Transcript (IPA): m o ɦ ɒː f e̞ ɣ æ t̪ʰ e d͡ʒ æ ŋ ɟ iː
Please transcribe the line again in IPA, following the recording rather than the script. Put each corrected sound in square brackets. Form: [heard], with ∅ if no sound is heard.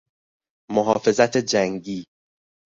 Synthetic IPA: m o ɦ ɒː f e̞ [z] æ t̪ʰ e d͡ʒ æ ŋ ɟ iː